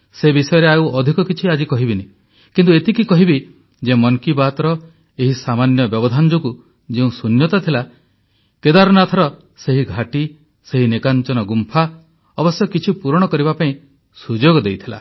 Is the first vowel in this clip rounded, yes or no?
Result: no